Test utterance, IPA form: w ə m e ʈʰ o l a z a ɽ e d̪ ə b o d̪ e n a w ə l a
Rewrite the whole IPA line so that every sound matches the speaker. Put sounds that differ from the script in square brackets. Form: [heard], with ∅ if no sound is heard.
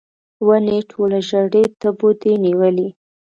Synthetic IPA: w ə [n] e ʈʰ o l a [ʒ] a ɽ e [t̪] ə b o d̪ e n [i] w ə l [i]